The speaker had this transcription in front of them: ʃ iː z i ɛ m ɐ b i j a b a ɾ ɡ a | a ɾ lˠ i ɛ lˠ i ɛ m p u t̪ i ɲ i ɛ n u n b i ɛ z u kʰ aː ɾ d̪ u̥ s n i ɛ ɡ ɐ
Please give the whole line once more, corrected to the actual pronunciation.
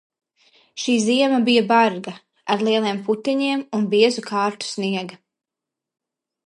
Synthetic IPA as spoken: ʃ iː z i ɛ m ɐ b i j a b a ɾ ɡ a | a ɾ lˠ i ɛ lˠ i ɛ m p u t̪ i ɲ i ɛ m u n b i ɛ z u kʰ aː ɾ t̪ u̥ s n i ɛ ɡ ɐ